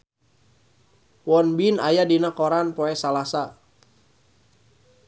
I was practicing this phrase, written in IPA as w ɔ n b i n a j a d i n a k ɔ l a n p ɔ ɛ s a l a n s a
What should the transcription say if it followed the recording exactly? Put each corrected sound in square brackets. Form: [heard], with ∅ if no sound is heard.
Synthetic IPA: w ɔ n b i n a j a d i n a k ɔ [ɾ] a n p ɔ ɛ s a l a [∅] s a